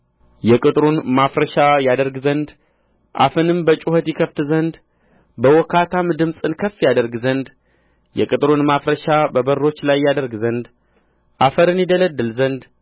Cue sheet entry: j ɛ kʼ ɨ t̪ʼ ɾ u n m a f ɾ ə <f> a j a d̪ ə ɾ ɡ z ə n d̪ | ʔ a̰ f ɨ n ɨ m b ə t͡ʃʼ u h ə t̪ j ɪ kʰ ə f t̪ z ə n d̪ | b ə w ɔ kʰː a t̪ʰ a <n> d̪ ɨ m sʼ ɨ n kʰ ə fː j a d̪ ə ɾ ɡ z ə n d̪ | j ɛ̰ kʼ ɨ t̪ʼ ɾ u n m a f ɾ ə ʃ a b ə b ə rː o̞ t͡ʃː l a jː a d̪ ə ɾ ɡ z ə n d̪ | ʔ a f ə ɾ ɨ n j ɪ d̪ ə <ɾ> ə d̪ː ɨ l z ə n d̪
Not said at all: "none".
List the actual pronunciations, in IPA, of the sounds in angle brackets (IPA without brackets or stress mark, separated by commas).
ʃ, m, l